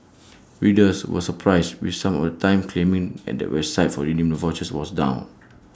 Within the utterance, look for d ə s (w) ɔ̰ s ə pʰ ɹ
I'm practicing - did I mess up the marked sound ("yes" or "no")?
no